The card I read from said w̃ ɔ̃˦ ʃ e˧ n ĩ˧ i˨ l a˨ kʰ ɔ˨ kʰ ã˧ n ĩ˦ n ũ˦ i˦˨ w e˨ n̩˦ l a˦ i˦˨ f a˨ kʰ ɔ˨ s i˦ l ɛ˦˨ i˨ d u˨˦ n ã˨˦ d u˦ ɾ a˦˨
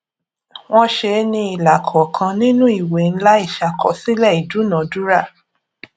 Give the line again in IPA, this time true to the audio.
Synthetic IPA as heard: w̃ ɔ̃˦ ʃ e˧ n ĩ˧ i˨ l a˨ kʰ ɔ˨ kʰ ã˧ n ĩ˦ n ũ˦ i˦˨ w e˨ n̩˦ l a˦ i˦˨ ʃ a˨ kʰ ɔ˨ s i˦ l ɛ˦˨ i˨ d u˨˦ n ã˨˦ d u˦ ɾ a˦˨

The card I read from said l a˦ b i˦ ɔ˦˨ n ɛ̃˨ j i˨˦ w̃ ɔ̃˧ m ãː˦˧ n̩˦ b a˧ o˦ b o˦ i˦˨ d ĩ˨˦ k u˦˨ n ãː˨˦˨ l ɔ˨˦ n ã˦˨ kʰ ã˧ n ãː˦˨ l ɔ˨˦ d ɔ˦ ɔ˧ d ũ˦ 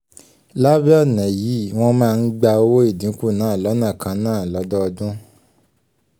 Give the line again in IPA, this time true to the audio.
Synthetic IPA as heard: l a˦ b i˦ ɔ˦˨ n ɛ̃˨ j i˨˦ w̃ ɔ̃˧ m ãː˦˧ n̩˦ ɡ͡b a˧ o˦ w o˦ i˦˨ d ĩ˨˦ k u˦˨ n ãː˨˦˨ l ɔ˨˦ n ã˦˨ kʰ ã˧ n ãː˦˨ l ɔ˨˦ d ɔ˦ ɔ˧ d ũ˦

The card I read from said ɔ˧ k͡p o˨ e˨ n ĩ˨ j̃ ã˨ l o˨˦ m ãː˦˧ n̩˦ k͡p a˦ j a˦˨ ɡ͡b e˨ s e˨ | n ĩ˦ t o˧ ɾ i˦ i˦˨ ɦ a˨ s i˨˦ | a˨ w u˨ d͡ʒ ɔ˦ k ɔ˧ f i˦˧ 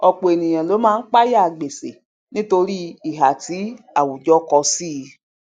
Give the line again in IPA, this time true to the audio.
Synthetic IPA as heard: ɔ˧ k͡p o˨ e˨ n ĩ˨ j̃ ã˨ l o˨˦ m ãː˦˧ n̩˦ k͡p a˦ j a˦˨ ɡ͡b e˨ s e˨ | n ĩ˦ t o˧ ɾ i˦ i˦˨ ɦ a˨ t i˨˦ | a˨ w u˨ d͡ʒ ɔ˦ k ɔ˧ s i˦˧

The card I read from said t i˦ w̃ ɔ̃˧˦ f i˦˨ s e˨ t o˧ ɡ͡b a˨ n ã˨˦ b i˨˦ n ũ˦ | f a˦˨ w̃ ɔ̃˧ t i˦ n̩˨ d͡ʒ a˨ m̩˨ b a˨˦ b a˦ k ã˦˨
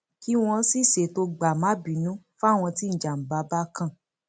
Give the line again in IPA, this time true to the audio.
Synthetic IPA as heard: k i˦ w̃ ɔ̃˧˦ s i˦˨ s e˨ t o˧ ɡ͡b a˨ m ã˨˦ b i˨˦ n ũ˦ | f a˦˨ w̃ ɔ̃˧ t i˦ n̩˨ d͡ʒ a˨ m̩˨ b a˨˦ b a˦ k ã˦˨

